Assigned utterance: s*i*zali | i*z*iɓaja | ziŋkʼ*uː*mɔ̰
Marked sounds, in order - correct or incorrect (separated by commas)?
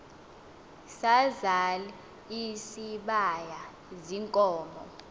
incorrect, incorrect, incorrect